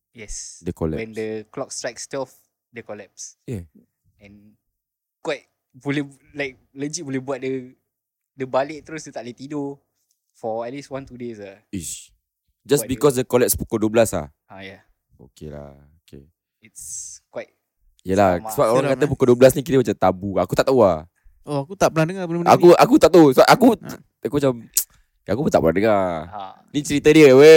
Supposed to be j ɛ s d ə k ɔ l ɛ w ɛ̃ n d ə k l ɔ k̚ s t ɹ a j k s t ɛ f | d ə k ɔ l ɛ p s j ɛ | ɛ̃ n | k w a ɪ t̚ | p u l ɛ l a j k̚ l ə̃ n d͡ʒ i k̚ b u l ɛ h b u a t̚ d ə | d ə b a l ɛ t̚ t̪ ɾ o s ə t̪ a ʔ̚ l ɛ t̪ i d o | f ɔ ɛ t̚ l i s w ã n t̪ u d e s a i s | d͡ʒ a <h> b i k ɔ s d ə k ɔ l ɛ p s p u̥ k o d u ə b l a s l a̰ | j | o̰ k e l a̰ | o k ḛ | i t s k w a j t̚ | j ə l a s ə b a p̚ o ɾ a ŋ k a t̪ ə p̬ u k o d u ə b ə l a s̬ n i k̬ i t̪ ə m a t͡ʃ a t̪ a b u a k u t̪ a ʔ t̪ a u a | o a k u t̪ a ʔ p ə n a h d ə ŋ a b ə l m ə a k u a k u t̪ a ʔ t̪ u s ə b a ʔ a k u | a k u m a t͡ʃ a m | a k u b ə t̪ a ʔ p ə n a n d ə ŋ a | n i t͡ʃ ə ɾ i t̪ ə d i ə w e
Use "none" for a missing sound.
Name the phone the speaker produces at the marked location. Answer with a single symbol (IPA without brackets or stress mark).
s